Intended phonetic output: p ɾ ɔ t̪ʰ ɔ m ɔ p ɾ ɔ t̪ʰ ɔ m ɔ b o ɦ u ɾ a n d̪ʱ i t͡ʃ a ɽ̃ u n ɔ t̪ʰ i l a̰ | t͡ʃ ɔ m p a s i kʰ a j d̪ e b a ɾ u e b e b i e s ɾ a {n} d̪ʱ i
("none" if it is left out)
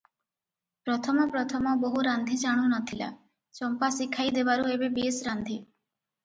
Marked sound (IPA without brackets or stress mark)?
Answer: n